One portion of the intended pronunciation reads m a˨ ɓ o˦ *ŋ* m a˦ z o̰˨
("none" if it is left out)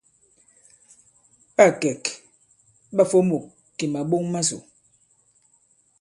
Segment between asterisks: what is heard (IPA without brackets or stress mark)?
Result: ŋ